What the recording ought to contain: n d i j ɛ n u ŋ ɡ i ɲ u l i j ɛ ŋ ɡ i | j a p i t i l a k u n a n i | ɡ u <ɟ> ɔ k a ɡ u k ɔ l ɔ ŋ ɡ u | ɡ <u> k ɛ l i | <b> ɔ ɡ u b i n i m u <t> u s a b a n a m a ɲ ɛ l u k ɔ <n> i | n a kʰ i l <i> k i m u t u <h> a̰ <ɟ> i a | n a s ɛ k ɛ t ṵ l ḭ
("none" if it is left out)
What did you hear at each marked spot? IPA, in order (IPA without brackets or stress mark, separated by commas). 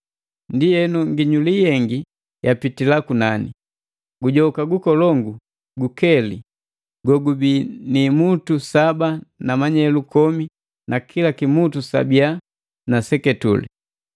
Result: ɟ, u, ɡ, t, m, a, s, b